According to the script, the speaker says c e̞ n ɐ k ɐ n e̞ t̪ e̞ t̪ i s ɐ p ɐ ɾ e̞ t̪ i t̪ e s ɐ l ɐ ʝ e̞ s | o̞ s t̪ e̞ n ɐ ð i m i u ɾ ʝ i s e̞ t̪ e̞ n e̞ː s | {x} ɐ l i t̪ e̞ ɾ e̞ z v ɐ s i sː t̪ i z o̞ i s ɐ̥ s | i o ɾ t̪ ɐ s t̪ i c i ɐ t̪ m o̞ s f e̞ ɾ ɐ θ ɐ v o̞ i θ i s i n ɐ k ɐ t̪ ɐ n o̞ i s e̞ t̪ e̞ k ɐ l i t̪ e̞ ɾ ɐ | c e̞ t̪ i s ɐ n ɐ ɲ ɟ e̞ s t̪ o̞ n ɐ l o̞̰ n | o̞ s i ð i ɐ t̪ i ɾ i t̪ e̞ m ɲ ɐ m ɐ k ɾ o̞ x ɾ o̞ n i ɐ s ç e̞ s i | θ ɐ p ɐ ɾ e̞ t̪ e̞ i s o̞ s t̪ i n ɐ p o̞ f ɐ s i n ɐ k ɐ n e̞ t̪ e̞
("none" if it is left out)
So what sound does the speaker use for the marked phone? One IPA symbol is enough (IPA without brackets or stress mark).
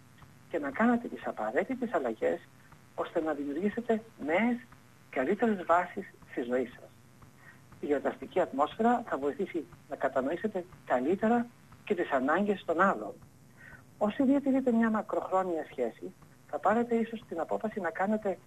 k